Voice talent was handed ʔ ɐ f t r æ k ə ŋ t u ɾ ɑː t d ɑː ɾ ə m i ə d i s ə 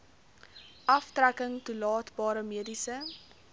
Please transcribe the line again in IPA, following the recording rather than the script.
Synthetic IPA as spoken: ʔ ɐ f t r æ k ə ŋ t u l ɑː t b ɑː ɾ ə m i ə d i s ə

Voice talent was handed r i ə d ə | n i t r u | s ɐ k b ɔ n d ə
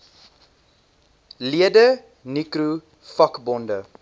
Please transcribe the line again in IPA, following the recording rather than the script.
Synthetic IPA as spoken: l i ə d ə | n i k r u | f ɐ k b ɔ n d ə

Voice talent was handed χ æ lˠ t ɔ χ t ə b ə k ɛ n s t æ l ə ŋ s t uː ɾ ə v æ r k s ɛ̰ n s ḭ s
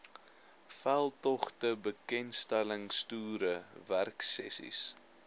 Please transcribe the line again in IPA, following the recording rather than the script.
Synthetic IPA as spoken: f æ lˠ t ɔ χ t ə b ə k ɛ n s t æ l ə ŋ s t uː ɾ ə v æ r k s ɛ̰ s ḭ s

